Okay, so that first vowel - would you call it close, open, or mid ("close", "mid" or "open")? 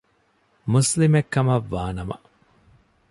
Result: close